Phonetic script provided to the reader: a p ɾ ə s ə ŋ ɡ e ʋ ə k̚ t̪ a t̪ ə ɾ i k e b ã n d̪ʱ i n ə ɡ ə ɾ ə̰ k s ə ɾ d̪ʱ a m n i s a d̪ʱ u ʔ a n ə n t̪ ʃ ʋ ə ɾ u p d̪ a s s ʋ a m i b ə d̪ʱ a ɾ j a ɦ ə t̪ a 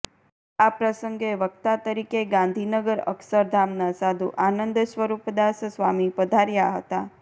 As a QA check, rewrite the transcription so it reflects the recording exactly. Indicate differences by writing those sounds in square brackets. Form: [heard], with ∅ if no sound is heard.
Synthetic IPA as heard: a p ɾ ə s ə ŋ ɡ e ʋ ə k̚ t̪ a t̪ ə ɾ i k e [ɡ] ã n d̪ʱ i n ə ɡ ə ɾ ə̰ k s ə ɾ d̪ʱ a m n [a] s a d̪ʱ u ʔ a n ə n [d̪] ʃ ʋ ə ɾ u p d̪ a s s ʋ a m i [p] ə d̪ʱ a ɾ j a ɦ ə t̪ a